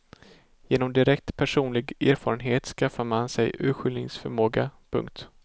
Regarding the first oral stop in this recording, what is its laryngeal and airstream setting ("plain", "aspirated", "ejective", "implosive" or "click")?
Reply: plain